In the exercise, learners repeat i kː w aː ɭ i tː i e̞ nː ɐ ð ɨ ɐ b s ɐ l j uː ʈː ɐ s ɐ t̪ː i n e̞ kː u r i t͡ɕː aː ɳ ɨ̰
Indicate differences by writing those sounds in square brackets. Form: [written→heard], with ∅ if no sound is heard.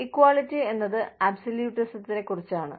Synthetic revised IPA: i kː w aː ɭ i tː i e̞ nː ɐ ð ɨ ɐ b s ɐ l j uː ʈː ɐ s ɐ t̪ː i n e̞ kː u r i t͡ɕː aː ɳ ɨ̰